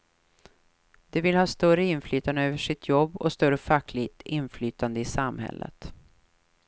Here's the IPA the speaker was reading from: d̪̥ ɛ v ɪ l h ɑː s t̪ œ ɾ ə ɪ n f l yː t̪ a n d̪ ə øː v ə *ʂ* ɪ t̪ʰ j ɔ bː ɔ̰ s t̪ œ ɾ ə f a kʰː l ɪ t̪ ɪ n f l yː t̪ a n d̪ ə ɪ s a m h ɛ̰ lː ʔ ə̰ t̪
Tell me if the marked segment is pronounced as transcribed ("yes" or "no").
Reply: yes